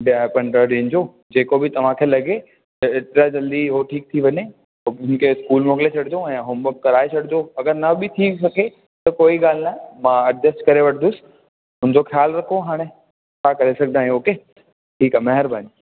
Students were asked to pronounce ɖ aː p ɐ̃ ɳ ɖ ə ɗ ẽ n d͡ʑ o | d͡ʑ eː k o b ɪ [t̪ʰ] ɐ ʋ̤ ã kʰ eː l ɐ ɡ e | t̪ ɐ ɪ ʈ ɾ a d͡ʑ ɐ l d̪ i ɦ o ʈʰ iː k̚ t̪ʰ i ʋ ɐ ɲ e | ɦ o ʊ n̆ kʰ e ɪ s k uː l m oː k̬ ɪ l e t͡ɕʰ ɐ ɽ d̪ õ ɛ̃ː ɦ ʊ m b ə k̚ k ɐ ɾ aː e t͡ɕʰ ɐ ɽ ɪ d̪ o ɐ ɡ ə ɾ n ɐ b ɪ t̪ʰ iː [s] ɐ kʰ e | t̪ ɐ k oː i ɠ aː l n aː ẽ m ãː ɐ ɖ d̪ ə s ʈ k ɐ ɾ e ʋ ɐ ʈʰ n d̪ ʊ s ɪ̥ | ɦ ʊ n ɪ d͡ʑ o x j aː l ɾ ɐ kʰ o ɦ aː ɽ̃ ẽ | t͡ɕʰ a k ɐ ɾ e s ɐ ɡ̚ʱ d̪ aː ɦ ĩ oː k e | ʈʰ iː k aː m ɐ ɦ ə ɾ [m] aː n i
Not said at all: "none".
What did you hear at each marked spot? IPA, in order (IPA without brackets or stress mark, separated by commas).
t̪, s, b